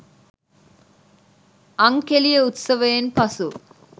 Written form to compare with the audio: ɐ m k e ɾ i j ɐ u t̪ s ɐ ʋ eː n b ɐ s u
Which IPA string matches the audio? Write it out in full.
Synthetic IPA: ɐ ŋ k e l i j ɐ u t̪ s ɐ ʋ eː n p ɐ s u